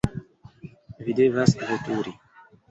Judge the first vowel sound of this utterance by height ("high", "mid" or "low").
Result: high